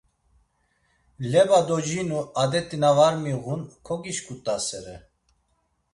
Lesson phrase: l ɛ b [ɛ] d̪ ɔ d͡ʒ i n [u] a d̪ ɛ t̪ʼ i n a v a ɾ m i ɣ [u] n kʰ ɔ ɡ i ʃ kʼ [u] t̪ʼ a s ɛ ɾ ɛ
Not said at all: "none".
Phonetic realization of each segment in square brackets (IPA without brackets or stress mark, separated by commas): a, u, u, u